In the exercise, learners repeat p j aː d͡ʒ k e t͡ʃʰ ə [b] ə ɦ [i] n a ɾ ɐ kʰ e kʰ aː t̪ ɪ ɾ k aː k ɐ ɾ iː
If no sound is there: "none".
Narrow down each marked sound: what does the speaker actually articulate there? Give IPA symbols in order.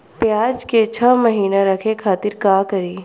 m, iː

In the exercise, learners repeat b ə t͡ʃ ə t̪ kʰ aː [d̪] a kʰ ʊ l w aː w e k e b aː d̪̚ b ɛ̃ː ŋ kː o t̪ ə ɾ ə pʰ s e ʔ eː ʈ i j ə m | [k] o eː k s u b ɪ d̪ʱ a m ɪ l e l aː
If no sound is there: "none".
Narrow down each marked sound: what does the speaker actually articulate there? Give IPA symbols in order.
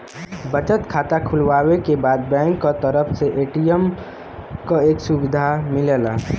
t̪, k

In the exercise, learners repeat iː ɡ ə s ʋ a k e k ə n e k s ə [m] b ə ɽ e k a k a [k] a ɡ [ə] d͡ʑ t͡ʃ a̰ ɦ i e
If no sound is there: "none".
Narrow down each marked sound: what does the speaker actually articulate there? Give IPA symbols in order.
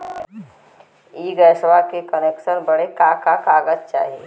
n, k, ə

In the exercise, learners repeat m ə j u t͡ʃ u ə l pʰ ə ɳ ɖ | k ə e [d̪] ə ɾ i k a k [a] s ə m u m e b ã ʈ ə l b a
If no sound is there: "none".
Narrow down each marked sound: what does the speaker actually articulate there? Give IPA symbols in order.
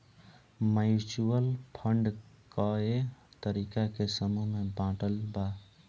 t̪, e

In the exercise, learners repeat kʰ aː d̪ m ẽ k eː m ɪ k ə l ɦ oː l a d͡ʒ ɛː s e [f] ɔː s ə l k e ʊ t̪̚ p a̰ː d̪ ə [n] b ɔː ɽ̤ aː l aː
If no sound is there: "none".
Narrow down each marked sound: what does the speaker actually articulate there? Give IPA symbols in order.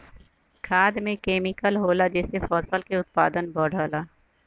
f, n

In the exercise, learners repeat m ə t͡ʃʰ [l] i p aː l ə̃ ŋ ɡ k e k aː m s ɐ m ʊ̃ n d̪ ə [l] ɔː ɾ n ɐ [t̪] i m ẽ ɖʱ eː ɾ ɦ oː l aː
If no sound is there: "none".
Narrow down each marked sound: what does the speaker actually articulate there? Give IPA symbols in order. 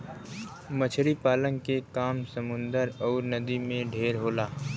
ɾ, ɾ, d̪

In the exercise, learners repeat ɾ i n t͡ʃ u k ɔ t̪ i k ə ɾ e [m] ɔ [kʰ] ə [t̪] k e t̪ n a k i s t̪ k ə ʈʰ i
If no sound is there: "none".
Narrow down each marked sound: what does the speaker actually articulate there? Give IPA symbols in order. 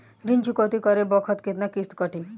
b, kʰ, t̪

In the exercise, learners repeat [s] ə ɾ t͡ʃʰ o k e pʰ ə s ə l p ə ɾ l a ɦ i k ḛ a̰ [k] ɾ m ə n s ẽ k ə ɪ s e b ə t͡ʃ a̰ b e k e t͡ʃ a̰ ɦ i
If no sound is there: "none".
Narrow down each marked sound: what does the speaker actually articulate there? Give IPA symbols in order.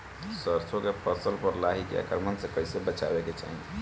s, k

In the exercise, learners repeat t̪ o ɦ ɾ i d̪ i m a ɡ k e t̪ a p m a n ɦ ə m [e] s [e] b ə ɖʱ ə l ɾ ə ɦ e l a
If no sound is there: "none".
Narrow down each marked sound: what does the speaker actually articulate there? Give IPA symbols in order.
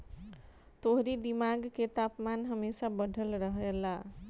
e, a

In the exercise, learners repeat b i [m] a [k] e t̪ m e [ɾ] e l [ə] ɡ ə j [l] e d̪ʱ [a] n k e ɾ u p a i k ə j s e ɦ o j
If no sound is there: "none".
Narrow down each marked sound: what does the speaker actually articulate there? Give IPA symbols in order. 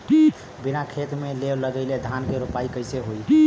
n, kʰ, l, ə, l, a

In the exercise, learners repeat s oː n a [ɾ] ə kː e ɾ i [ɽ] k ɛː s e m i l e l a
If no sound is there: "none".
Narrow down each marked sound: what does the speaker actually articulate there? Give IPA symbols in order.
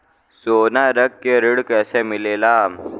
ɾ, ɽ

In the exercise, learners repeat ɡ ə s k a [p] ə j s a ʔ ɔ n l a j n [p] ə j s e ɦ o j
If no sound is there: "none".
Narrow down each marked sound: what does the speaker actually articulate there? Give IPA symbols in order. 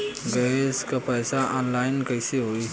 p, k

